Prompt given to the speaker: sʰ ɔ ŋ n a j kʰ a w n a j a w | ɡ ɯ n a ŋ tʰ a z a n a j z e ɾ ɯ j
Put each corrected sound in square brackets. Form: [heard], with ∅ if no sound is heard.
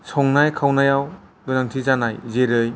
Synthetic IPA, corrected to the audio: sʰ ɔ ŋ n a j kʰ a w n a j a w | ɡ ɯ n a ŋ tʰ [i] z a n a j z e ɾ ɯ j